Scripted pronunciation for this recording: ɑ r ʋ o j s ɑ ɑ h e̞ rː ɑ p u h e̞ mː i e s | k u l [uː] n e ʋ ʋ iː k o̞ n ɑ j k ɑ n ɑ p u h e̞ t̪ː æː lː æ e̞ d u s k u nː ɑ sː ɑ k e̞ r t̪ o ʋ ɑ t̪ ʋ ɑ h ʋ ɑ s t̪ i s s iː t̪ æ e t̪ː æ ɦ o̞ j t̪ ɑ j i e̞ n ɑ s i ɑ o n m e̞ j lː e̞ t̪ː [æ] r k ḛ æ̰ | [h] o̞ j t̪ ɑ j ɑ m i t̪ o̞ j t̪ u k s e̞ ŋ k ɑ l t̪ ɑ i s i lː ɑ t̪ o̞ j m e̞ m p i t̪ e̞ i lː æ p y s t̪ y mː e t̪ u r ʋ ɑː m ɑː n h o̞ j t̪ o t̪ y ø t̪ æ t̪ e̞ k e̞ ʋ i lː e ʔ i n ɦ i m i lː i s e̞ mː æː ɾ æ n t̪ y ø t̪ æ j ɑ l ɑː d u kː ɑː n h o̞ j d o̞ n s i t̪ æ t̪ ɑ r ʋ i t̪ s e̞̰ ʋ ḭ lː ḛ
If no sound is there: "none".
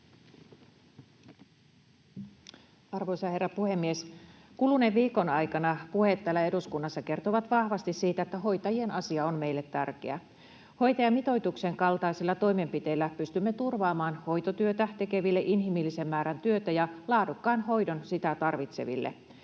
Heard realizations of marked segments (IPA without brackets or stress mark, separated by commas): u, æ, h